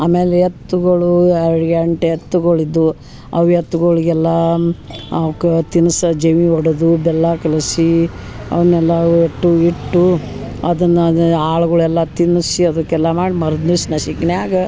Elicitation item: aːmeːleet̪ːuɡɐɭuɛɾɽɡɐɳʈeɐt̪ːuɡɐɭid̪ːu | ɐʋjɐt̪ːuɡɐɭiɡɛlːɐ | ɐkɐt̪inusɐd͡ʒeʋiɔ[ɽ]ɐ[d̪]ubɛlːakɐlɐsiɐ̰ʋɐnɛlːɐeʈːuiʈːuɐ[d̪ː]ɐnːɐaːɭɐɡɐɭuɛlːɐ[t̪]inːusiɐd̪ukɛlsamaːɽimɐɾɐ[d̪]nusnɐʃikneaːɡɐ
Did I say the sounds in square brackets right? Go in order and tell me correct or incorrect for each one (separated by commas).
correct, correct, incorrect, correct, correct